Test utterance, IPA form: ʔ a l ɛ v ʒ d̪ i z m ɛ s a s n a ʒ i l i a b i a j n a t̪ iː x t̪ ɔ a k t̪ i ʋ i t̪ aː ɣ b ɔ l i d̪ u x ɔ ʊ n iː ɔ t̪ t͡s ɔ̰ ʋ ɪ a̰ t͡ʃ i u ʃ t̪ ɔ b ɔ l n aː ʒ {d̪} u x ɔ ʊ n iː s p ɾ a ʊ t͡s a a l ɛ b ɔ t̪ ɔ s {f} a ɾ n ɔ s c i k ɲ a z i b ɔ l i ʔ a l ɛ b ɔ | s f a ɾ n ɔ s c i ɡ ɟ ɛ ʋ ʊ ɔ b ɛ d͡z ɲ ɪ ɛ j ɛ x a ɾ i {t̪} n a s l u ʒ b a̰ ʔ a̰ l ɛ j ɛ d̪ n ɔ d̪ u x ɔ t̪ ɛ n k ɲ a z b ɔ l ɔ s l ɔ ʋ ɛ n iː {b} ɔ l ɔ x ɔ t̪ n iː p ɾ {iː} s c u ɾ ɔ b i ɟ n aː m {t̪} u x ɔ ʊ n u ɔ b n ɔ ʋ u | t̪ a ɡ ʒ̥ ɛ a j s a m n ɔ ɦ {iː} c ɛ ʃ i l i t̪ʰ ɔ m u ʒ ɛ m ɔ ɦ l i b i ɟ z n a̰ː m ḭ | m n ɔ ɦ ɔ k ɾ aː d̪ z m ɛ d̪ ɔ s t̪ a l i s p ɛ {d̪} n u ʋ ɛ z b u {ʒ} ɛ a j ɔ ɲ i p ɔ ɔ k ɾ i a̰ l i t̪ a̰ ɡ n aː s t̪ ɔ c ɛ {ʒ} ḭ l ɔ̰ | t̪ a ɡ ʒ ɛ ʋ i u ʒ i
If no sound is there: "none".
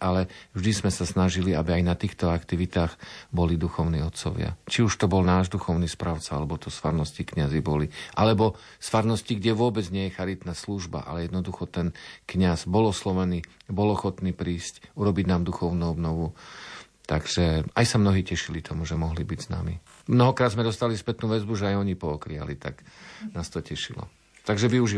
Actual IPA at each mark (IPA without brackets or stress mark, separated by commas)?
d̪, f, t̪, b, iː, d̪, iː, t̪, ʒ, ʃ